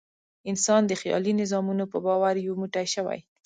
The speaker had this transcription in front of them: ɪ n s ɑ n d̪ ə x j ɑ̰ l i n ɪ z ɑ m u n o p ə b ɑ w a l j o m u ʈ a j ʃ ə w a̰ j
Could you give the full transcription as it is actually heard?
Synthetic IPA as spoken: ɪ n s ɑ n d̪ ə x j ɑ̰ l i n ɪ z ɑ m u n o p ə b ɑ w a ɾ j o m u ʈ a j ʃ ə w a̰ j

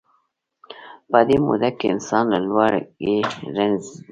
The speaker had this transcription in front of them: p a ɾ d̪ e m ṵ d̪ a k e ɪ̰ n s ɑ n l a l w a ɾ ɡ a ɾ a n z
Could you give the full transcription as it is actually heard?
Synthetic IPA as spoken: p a d̪ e m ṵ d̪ a k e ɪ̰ n s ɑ n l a l w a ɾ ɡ e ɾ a n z

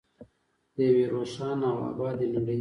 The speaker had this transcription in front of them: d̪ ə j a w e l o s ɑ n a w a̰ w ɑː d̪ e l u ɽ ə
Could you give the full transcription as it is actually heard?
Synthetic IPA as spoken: d̪ ə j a w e ɾ o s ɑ n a w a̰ b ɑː d̪ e l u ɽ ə

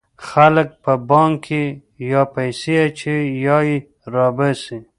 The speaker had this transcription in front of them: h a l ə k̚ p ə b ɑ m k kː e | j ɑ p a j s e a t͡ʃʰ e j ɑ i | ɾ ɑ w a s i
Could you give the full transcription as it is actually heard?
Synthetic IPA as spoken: x a l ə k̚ p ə b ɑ ŋ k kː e | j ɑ p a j s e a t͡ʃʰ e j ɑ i | ɾ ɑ b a s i

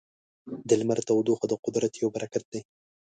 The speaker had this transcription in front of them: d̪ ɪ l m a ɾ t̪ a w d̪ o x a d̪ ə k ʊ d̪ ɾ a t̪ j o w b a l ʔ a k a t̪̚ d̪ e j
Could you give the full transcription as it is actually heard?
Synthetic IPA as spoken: d̪ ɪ l m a ɾ t̪ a w d̪ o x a d̪ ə q ʊ d̪ ɾ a t̪ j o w b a ɾ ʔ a k a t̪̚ d̪ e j

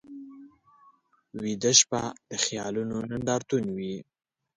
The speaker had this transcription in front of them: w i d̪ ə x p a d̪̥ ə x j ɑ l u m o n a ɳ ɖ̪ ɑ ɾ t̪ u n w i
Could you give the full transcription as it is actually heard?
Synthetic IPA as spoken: w i d̪ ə ʃ p a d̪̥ ə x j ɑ l u n o n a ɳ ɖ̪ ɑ ɾ t̪ u n w i

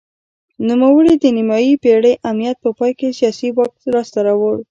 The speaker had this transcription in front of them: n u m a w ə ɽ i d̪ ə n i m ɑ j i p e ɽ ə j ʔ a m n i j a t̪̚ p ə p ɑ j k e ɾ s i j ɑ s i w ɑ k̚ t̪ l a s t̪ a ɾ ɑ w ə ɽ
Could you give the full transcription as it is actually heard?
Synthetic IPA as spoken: n u m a w ə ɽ i d̪ ə n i m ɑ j i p e ɽ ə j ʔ a m n i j a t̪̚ p ə p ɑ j k e s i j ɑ s i w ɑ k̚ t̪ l ɑ s t̪ a ɾ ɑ w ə ɽ

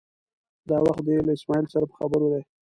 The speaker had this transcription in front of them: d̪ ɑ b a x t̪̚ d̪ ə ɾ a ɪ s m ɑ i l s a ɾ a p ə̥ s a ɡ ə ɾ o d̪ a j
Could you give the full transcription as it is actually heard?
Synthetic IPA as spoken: d̪ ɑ w a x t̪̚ d̪ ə l a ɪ s m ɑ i l s a ɾ a p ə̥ x a b ə ɾ o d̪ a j

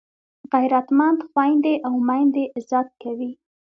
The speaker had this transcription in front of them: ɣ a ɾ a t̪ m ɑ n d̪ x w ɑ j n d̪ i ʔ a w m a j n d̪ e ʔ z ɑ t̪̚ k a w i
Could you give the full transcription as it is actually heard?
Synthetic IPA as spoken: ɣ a ɾ a t̪ m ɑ n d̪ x w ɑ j n d̪ e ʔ a w m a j n d̪ e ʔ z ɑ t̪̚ k a w i

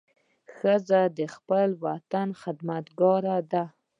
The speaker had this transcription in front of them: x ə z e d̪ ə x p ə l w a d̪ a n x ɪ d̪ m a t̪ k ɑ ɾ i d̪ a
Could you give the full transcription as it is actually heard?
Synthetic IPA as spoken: x ə z a d̪ ə x p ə l w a t̪ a n x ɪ d̪ m a t̪ ɡ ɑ ɾ a d̪ a

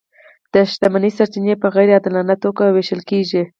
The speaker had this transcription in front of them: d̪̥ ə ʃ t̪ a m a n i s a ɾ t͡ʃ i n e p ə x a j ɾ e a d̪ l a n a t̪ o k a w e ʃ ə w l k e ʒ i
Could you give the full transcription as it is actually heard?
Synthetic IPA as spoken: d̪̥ ə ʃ t̪ a m a n i s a ɾ t͡ʃ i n e p ə ɣ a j ɾ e a d̪ l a n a t̪ o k a w e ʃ ə l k e ʒ i

